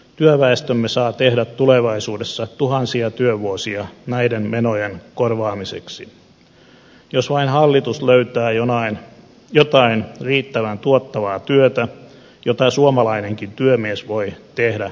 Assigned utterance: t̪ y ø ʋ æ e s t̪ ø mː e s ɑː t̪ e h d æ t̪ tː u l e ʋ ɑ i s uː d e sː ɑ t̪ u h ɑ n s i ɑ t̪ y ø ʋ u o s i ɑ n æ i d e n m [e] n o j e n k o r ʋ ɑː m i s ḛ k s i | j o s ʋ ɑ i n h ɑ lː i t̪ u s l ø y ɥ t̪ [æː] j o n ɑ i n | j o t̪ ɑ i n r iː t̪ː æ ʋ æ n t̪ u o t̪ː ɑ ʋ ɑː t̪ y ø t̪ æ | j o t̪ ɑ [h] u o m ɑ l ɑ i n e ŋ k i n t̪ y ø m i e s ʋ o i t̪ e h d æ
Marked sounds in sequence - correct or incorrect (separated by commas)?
correct, correct, incorrect